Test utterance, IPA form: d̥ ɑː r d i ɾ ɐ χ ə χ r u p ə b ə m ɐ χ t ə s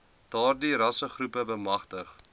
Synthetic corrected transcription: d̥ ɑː r d i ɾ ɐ s ə χ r u p ə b ə m ɐ χ t ə χ